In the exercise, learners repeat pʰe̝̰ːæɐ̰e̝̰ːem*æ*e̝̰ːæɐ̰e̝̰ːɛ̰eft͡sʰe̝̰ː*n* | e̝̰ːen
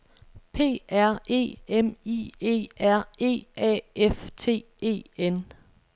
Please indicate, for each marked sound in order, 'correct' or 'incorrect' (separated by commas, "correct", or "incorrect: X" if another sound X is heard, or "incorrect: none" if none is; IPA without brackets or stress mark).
incorrect: i, incorrect: none